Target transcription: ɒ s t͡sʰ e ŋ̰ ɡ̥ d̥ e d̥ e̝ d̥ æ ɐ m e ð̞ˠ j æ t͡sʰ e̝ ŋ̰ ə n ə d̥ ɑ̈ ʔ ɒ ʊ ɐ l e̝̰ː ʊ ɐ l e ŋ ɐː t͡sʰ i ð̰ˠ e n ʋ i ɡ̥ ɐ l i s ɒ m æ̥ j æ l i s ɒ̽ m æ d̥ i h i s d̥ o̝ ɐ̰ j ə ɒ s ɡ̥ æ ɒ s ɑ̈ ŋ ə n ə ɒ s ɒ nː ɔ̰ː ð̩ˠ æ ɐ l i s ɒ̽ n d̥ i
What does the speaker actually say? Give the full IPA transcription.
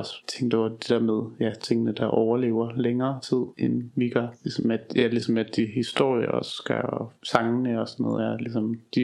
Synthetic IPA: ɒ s t͡sʰ e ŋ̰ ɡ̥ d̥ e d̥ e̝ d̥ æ ɐ m e ð̞ˠ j æ t͡sʰ e̝ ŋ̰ ə n ə d̥ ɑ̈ ʔ ɒ ʊ ɐ l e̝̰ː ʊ ɐ l e ŋ ɐː t͡sʰ i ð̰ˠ e n ʋ i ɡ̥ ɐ l i s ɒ m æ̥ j æ l i s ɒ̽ m æ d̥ i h i s d̥ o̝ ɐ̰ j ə ɒ s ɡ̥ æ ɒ s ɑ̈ ŋ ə n ə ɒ s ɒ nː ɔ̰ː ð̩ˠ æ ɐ l i s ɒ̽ m d̥ i